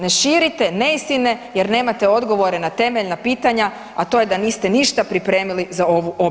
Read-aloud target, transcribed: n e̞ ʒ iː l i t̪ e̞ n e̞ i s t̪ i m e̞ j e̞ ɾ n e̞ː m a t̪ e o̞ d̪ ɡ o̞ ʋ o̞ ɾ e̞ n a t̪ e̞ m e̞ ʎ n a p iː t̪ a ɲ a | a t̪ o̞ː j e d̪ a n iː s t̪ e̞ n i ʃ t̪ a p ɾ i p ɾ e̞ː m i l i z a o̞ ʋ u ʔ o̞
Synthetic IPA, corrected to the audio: n e̞ ʃ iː ɾ i t̪ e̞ n e̞ i s t̪ i n e̞ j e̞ ɾ n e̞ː m a t̪ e o̞ d̪ ɡ o̞ ʋ o̞ ɾ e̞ n a t̪ e̞ m e̞ ʎ n a p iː t̪ a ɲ a | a t̪ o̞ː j e d̪ a n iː s t̪ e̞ n i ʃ t̪ a p ɾ i p ɾ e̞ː m i l i z a o̞ ʋ u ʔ o̞